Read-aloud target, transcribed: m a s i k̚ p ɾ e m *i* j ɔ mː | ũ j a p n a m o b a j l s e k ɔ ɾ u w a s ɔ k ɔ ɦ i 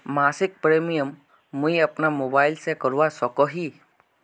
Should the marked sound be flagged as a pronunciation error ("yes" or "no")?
no